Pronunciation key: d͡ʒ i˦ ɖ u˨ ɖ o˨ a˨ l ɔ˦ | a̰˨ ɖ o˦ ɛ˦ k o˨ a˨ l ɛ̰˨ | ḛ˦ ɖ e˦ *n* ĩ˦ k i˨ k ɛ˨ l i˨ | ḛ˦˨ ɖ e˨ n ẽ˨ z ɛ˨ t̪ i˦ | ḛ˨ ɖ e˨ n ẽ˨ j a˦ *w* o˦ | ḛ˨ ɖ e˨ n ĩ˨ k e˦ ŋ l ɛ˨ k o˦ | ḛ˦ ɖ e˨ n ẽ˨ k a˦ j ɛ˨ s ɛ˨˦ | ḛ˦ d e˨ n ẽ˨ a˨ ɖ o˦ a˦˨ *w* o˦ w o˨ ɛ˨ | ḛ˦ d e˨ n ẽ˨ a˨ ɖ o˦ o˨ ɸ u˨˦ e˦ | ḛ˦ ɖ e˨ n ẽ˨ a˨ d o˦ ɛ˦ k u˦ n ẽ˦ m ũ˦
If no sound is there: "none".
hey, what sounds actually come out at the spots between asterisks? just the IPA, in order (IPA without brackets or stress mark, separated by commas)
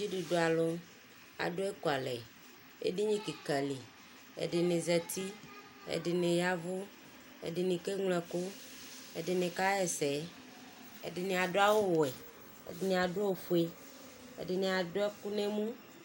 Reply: ɲ, v, w